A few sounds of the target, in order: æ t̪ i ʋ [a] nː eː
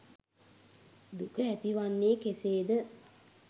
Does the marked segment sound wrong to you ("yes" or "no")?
no